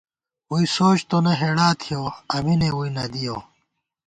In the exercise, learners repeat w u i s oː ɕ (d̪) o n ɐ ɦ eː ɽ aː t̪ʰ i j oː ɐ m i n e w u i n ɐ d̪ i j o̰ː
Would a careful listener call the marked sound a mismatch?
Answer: yes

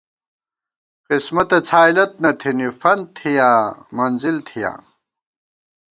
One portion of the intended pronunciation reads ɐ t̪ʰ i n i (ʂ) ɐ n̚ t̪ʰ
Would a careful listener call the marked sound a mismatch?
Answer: yes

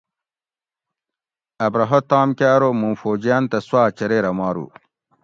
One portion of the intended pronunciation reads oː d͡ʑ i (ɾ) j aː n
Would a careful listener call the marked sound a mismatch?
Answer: yes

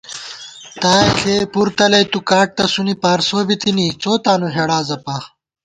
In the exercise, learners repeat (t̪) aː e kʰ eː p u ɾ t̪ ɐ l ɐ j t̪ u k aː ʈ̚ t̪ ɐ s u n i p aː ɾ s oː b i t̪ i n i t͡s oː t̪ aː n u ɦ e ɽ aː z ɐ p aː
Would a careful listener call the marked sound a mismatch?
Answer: no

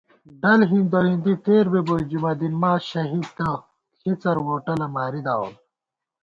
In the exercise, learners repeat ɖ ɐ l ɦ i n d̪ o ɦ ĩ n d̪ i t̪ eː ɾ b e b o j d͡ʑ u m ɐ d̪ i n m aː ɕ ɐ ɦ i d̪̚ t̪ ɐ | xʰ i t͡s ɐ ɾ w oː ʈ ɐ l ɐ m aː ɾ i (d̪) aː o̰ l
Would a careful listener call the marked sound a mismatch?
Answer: no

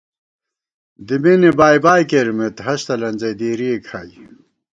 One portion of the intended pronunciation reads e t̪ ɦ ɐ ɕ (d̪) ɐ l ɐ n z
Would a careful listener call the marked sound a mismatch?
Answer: yes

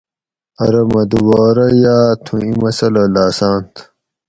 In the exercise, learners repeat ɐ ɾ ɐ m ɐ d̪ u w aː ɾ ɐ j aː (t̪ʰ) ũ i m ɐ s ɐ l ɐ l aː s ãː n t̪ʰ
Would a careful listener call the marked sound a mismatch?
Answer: no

